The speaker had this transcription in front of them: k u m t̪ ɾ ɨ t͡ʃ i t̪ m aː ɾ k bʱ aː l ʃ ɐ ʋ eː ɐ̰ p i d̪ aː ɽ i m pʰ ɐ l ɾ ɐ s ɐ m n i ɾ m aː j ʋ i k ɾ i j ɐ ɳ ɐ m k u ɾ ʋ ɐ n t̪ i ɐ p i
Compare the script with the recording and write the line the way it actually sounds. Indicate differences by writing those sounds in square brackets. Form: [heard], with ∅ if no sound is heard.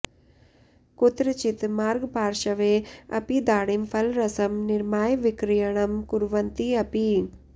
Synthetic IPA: k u [∅] t̪ ɾ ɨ t͡ʃ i t̪ m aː ɾ [ɡ] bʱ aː [ɾ] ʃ ɐ ʋ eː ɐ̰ p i d̪ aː ɽ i m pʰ ɐ l ɾ ɐ s ɐ m n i ɾ m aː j ʋ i k ɾ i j ɐ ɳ ɐ m k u ɾ ʋ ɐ n t̪ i ɐ p i